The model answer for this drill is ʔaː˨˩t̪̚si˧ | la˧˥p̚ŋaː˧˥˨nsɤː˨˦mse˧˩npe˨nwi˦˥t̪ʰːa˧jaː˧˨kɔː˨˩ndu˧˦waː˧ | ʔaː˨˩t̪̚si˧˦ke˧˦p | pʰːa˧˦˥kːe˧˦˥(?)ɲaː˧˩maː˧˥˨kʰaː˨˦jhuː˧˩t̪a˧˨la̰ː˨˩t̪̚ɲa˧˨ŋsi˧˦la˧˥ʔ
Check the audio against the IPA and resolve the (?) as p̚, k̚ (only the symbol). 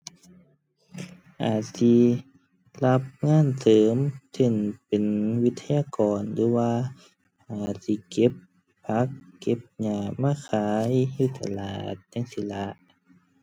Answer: p̚